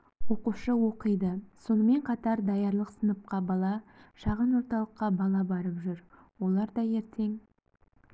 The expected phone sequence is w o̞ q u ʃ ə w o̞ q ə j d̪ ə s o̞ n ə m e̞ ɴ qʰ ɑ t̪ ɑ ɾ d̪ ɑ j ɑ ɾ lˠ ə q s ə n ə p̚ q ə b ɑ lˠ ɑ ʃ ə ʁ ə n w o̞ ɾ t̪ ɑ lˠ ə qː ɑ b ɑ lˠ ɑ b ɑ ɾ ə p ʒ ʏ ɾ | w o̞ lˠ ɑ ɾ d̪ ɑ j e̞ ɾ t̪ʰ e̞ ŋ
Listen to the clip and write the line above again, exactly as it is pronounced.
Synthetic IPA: w o̞ q u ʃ ə w o̞ q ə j d̪ ə s o̞ n ə m e̞ ɴ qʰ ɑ t̪ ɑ ɾ d̪ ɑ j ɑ ɾ lˠ ə q s ə n ə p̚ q ɑ b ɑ lˠ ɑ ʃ ɑ ʁ ə n w o̞ ɾ t̪ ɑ lˠ ə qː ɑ b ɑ lˠ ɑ b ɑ ɾ ə p ʒ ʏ ɾ | w o̞ lˠ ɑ ɾ d̪ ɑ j e̞ ɾ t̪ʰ e̞ ŋ